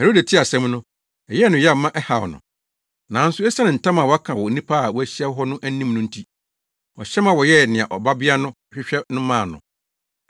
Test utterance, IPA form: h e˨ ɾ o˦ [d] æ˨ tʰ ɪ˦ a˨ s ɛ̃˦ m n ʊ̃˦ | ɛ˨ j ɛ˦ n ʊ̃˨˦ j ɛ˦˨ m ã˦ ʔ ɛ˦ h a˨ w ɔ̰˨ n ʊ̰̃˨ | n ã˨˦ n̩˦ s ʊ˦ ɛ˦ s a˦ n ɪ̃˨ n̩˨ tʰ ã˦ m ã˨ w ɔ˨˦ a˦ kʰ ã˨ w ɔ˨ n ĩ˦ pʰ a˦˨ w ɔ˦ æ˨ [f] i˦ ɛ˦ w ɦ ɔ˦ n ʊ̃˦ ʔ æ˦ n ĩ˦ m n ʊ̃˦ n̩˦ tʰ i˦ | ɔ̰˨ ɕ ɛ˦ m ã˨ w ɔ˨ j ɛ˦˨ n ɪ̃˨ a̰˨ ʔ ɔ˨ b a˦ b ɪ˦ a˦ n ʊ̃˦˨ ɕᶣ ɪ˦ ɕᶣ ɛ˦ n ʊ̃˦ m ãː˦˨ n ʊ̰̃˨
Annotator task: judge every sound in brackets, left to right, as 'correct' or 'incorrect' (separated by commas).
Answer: correct, incorrect